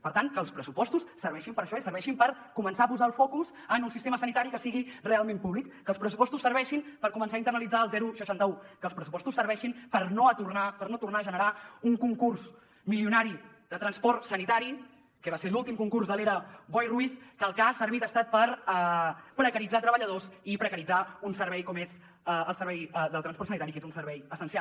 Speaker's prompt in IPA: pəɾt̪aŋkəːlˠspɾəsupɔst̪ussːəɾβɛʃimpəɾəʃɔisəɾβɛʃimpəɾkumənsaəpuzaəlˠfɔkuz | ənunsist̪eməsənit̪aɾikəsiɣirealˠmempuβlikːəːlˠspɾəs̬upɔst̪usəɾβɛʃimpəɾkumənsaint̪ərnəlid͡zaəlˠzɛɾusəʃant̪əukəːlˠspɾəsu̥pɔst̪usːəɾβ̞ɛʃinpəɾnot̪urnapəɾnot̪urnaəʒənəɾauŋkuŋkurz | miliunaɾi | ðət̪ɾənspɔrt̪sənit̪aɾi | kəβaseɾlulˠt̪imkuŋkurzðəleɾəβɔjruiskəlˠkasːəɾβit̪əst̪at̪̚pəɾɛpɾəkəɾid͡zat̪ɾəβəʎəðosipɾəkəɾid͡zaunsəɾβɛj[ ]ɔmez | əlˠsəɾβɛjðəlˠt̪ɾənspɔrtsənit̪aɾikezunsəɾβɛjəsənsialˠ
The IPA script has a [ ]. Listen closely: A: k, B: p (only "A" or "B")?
A